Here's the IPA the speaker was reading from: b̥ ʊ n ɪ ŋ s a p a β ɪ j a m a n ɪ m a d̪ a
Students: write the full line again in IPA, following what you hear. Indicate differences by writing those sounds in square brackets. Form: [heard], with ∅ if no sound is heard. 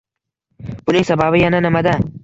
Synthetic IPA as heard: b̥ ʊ n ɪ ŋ s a [b] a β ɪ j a [n] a n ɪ m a d̪ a